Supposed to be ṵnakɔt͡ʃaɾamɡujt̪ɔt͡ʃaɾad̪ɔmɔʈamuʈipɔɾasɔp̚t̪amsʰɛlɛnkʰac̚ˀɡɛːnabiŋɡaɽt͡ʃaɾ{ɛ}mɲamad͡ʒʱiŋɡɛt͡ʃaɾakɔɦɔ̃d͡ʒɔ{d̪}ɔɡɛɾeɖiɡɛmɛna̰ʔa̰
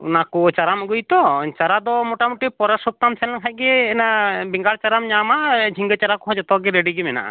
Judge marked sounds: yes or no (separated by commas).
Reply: no, no